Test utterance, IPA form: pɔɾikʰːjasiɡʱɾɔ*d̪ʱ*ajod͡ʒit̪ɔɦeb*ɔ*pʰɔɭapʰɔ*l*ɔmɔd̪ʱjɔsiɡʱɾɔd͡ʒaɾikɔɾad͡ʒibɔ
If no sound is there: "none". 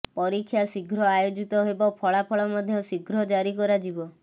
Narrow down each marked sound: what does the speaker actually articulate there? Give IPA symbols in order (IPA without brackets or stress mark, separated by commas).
none, ɔ, ɭ